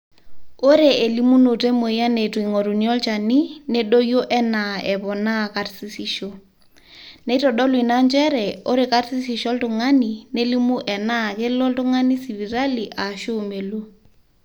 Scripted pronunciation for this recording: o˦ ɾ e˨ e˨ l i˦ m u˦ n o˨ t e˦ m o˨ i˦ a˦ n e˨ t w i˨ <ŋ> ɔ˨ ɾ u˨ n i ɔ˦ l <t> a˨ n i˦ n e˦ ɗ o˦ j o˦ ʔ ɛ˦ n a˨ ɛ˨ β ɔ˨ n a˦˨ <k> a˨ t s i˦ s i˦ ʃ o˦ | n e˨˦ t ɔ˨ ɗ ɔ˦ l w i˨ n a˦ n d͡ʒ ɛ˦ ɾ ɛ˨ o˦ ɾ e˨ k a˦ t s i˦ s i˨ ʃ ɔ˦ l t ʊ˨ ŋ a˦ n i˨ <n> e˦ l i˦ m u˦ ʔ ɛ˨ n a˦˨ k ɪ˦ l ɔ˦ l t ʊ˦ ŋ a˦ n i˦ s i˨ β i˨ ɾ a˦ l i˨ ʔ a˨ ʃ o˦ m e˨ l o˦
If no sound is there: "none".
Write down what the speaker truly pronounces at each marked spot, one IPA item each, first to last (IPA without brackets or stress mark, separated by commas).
ŋ, t͡ʃ, k, n